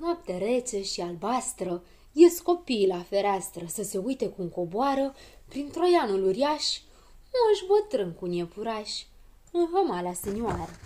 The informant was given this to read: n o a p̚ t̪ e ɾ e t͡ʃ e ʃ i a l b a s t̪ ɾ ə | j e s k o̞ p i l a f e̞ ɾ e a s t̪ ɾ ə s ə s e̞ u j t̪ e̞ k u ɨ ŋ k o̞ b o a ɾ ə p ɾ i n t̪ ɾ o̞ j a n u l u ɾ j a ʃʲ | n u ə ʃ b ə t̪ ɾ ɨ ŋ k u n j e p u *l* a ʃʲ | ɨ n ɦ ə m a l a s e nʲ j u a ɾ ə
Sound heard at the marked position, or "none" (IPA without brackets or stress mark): ɾ